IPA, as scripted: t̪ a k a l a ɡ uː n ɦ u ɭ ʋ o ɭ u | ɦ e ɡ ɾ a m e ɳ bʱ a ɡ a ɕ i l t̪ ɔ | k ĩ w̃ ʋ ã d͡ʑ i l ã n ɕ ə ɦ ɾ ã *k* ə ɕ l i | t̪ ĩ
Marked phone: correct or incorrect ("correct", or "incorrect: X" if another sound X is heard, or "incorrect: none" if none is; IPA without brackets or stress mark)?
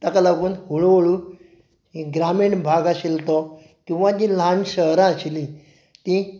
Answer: incorrect: none